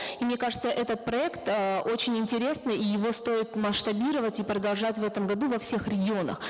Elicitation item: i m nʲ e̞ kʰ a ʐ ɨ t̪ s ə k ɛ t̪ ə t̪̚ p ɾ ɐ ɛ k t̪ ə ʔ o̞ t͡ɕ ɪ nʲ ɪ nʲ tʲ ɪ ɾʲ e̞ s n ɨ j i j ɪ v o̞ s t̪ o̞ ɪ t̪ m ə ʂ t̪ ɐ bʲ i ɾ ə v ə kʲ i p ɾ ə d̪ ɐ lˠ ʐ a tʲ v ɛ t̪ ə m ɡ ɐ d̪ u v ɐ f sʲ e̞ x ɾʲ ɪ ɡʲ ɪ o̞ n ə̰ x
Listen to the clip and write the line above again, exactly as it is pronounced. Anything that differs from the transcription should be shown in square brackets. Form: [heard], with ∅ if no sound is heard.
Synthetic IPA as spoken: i m nʲ e̞ [k] a ʐ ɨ t̪ s ə [ʔ] ɛ t̪ ə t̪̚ p ɾ ɐ ɛ k t̪ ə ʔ o̞ t͡ɕ ɪ nʲ ɪ nʲ tʲ ɪ ɾʲ e̞ s n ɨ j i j ɪ v o̞ s t̪ o̞ ɪ t̪ m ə ʂ t̪ ɐ bʲ i ɾ ə v ə [tʲ] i p ɾ ə d̪ ɐ lˠ ʐ a tʲ v ɛ t̪ ə m ɡ ɐ d̪ u v ɐ f sʲ e̞ x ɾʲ ɪ ɡʲ ɪ o̞ n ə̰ x